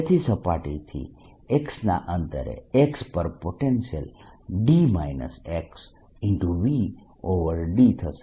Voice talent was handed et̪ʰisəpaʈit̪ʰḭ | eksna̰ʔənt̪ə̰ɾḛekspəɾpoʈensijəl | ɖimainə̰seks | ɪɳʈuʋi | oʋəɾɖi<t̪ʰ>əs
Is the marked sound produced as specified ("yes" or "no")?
yes